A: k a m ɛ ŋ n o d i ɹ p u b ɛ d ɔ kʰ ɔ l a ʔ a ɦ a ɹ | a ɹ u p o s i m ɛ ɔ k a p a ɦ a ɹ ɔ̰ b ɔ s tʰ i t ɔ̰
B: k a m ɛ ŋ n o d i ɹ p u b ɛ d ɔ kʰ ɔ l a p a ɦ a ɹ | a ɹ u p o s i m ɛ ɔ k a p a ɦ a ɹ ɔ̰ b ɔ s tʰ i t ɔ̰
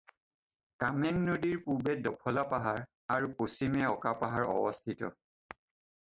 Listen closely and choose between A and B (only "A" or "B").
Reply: B